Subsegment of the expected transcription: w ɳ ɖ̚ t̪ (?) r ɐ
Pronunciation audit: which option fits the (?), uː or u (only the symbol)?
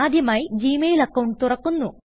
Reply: u